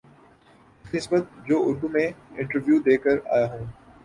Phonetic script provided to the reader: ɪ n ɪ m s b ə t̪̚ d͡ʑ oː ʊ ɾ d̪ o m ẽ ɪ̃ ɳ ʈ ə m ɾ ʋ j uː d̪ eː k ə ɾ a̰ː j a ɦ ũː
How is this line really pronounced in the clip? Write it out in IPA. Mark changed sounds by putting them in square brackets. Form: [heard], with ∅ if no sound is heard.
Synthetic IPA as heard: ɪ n ɪ [∅] s b ə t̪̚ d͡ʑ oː ʊ ɾ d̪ [u] m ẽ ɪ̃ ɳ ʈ ə [∅] ɾ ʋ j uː d̪ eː k ə ɾ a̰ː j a ɦ ũː

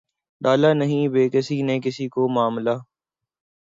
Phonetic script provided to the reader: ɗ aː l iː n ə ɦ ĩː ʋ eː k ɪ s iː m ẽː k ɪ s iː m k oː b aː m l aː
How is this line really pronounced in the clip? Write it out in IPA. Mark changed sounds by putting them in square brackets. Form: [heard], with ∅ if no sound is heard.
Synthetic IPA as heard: ɗ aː l [aː] n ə ɦ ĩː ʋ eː k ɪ s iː [n] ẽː k ɪ s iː [∅] k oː [m] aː m l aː

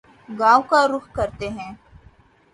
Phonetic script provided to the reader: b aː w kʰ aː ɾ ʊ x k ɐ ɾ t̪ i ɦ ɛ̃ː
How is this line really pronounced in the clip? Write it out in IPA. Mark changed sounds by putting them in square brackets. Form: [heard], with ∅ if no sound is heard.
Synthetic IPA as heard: [ɡ] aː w [k] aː ɾ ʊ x k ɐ ɾ t̪ [e] ɦ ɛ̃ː

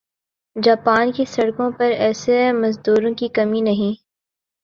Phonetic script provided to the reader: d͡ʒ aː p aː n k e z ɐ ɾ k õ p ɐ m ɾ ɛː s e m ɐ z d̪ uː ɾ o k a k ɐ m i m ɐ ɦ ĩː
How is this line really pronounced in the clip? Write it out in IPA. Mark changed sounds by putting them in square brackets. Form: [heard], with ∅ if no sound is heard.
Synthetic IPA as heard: d͡ʒ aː p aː n k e [s] ɐ [ɽ] k õ p ɐ [∅] ɾ ɛː s e m ɐ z d̪ uː ɾ [õ] k [i] k ɐ m i [n] ɐ ɦ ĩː

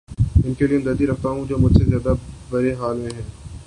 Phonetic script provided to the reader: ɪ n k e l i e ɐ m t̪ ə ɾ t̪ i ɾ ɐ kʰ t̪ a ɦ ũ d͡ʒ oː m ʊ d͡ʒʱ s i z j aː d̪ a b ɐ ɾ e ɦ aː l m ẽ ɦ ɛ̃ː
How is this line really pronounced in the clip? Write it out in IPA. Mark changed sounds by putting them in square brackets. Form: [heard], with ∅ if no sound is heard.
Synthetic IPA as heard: ɪ n k e l i e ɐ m [d̪] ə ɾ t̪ i ɾ ɐ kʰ t̪ a ɦ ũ d͡ʒ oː m ʊ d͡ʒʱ s [e] z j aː d̪ a b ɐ ɾ e ɦ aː l m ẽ ɦ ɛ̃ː

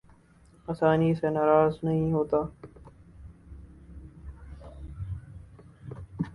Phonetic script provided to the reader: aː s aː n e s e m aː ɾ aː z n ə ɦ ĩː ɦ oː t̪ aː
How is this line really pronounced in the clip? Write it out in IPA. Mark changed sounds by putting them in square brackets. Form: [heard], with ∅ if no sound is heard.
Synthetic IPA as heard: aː s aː n [i] s e [n] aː ɾ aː z n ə ɦ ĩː ɦ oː t̪ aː

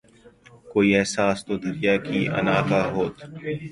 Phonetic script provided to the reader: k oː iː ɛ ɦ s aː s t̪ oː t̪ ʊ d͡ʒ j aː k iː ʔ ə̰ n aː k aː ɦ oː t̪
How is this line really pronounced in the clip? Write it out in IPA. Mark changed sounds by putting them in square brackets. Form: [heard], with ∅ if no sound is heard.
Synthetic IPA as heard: k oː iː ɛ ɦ s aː s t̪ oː [d̪] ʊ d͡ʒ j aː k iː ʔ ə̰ n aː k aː ɦ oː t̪

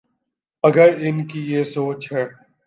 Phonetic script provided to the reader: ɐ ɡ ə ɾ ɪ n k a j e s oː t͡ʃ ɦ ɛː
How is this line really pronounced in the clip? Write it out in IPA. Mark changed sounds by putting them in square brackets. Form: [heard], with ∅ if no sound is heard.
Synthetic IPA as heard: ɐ ɡ ə ɾ ɪ n k [i] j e s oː t͡ʃ ɦ ɛː

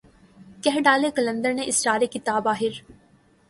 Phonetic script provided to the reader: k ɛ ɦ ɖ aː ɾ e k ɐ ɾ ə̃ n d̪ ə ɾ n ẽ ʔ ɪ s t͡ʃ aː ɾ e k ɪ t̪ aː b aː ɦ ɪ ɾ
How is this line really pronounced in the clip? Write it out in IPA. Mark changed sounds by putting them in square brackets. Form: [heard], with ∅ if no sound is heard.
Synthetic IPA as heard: k ɛ ɦ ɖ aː [l] e k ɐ [l] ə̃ n d̪ ə ɾ n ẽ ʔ ɪ s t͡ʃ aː ɾ e k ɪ t̪ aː b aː ɦ ɪ ɾ

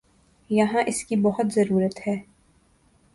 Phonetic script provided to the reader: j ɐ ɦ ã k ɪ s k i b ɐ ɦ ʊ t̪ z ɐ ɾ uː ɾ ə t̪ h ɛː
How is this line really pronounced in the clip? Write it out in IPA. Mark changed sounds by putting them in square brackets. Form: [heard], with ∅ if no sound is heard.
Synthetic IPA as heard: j ɐ ɦ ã [ʔ] ɪ s k i b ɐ ɦ ʊ t̪ z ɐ ɾ uː ɾ ə t̪ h ɛː

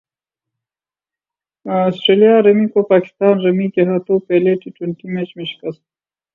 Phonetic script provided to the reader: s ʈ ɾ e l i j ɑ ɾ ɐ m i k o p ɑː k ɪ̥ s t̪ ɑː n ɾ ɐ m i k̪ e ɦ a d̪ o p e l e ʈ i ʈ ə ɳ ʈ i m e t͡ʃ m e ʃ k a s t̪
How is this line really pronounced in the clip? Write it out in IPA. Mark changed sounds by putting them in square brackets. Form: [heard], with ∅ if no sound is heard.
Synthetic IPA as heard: s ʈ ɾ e l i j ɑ ɾ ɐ m i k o p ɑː k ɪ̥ s t̪ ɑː n ɾ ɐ m i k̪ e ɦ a [t̪] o p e l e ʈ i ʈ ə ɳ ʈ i m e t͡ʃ m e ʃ k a s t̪

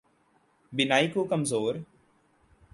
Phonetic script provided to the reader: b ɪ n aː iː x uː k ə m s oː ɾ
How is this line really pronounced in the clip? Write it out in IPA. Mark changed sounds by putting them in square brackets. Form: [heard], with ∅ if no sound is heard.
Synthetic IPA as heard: b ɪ n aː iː [k] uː k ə m [z] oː ɾ

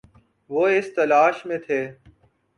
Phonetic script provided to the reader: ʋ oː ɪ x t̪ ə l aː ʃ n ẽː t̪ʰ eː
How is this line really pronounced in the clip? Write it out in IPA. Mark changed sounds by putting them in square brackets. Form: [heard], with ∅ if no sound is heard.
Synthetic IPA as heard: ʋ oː ɪ [s] t̪ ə l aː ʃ [m] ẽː t̪ʰ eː

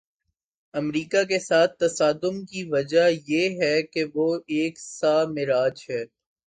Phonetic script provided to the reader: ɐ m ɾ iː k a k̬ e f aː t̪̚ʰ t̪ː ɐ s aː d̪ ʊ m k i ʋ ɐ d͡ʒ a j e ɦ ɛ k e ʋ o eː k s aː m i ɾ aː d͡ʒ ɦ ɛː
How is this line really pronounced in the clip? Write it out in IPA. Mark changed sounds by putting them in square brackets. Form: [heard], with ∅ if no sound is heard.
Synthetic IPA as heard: ɐ m ɾ iː k a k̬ e [s] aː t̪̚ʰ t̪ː ɐ s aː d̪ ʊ m k i ʋ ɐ d͡ʒ a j e ɦ ɛ k e ʋ o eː k s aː m [ɪ] ɾ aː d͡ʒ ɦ ɛː

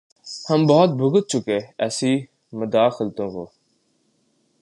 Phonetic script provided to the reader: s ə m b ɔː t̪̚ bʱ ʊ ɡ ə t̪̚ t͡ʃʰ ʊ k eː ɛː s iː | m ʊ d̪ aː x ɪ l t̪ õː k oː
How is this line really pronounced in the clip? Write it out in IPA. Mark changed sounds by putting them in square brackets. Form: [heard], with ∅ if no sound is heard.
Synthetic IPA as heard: [h] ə m b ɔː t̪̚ bʱ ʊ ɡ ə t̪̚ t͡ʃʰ ʊ k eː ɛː s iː | m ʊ d̪ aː x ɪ l t̪ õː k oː

